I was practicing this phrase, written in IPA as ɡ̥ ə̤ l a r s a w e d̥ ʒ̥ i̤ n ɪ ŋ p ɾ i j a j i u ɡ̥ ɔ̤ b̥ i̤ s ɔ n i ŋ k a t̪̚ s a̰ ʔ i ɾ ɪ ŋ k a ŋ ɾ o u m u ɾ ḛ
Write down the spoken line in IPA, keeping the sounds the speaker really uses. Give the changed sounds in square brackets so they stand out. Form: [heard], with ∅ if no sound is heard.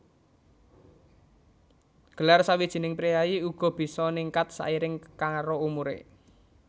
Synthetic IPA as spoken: ɡ̥ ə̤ l a r s a w [i] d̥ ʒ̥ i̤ n ɪ ŋ p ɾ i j a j i u ɡ̥ ɔ̤ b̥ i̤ s ɔ n i ŋ k a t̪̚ s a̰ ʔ i ɾ ɪ ŋ k a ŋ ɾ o u m u ɾ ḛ